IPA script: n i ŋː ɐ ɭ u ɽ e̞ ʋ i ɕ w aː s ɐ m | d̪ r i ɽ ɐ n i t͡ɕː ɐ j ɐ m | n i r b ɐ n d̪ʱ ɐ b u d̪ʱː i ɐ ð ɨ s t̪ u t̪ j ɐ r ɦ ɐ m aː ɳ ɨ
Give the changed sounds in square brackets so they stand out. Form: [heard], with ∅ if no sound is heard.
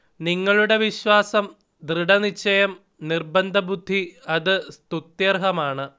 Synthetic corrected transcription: n i ŋː ɐ ɭ u ɽ e̞ ʋ i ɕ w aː s ɐ m | d̪ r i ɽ ɐ n i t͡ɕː ɐ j ɐ m | n i r b ɐ n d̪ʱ ɐ b u d̪ʱː i ɐ ð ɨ s t̪ u t̪ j ɐ r ɦ ɐ m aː ɳ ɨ